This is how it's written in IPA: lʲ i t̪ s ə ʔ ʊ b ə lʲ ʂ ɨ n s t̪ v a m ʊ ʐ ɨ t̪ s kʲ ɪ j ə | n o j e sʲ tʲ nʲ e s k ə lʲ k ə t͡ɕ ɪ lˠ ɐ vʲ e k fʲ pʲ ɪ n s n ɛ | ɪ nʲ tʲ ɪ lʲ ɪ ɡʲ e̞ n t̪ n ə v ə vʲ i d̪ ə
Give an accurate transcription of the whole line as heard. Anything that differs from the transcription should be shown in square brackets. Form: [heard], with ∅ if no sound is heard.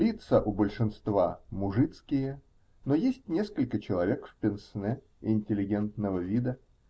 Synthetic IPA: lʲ i t̪ s ə ʔ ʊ b ə lʲ ʂ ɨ n s t̪ v a m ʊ ʐ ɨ t̪ s kʲ ɪ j ə | n o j e sʲ tʲ nʲ e s k ə lʲ k ə t͡ɕ ɪ lˠ ɐ vʲ e k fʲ pʲ ɪ n s n ɛ | ɪ nʲ tʲ ɪ lʲ ɪ ɡʲ e̞ n t̪ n ə v ə vʲ i d̪ ə